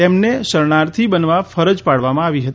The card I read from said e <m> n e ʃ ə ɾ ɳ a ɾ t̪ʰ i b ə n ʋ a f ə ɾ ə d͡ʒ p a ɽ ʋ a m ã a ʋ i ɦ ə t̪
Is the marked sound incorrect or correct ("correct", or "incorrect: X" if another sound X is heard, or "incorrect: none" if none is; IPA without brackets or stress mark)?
correct